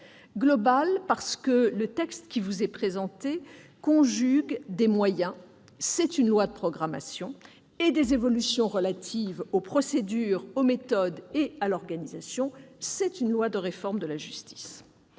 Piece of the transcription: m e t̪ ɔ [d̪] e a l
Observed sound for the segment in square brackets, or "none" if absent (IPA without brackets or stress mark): d̪